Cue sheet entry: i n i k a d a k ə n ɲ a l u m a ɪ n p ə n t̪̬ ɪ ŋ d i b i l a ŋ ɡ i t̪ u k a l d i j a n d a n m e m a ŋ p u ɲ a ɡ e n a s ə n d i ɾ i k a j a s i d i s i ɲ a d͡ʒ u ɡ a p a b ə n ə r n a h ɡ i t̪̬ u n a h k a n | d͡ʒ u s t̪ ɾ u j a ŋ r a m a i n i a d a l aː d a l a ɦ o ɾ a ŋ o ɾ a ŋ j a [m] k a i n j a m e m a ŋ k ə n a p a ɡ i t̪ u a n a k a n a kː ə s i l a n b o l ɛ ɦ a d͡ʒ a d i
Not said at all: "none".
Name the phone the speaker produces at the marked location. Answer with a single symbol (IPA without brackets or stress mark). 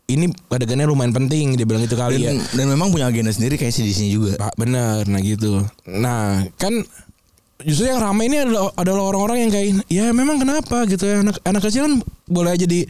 ŋ